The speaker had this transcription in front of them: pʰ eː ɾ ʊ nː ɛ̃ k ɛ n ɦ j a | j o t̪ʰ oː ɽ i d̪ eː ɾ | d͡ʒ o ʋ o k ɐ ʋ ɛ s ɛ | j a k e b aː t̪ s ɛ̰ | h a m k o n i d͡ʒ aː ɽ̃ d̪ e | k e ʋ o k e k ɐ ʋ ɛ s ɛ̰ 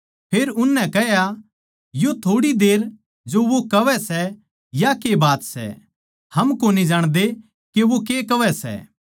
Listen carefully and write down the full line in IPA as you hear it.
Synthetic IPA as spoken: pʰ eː ɾ ʊ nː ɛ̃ k ɛ ɦ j a | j o t̪ʰ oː ɽ i d̪ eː ɾ | d͡ʒ o ʋ o k ɐ ʋ ɛ s ɛ | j a k e b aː t̪ s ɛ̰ | h ɐ m k o n i d͡ʒ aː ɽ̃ d̪ e | k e ʋ o k e k ɐ ʋ ɛ s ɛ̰